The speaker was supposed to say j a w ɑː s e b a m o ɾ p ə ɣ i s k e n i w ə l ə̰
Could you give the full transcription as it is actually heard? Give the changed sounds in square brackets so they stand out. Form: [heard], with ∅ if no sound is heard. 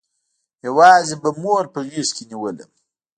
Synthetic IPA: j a w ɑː [z] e b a m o ɾ p ə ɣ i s k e n i w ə l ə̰